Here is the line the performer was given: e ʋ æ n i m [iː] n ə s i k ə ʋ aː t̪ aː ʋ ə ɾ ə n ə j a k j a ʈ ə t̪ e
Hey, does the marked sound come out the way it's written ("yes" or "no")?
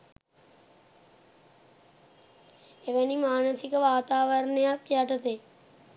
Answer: no